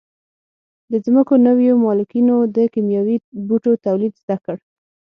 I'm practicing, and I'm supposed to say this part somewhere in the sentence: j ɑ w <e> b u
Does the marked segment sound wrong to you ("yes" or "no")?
yes